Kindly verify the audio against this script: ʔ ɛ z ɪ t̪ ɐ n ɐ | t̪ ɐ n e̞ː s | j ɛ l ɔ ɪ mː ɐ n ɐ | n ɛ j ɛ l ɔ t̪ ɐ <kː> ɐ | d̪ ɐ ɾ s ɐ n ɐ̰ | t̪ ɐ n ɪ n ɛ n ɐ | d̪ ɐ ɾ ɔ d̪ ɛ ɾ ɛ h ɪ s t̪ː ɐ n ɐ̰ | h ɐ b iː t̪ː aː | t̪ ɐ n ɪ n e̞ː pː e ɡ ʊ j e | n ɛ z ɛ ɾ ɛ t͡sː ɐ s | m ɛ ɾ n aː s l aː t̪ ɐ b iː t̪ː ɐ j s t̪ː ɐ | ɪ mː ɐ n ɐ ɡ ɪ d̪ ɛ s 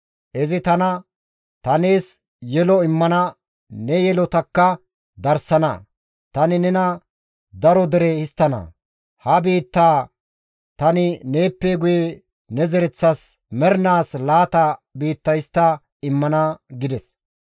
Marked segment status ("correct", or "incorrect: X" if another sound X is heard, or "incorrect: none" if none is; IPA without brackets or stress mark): correct